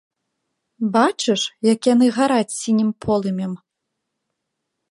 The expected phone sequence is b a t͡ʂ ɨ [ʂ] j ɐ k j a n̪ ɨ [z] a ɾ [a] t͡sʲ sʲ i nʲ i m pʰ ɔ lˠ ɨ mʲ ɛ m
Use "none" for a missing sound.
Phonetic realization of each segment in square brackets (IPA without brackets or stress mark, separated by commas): ʂ, ɣ, a